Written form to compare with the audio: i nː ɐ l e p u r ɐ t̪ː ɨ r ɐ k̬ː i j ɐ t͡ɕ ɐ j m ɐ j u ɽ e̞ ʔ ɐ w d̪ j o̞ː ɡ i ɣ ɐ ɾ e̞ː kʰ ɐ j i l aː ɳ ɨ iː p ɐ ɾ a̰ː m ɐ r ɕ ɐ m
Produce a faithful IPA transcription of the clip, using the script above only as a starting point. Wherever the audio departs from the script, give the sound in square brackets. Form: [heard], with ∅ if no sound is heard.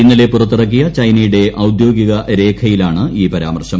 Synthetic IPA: i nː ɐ l e p u r ɐ t̪ː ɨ r ɐ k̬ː i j ɐ t͡ɕ ɐ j [n] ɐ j u ɽ e̞ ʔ ɐ w d̪ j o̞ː ɡ i ɣ ɐ ɾ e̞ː kʰ ɐ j i l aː ɳ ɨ iː p ɐ ɾ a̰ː m ɐ r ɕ ɐ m